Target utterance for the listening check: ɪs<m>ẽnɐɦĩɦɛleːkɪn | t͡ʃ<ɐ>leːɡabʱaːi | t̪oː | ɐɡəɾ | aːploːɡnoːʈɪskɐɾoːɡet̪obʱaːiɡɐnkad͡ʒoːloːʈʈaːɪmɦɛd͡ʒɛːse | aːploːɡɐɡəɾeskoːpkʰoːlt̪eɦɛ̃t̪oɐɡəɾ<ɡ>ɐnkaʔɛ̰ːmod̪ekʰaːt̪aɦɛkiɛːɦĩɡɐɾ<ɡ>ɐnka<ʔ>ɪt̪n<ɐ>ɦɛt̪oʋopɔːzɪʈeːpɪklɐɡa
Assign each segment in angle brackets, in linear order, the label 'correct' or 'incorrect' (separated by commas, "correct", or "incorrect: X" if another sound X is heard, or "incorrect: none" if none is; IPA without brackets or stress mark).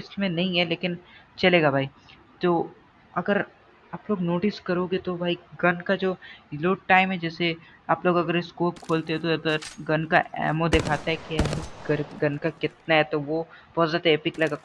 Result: correct, correct, correct, correct, incorrect: k, incorrect: a